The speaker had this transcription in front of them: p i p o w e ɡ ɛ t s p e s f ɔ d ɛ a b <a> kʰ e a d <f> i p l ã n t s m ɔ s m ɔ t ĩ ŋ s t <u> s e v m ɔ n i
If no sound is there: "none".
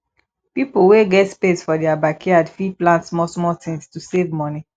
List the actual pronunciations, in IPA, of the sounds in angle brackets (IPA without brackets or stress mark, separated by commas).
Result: a, f, u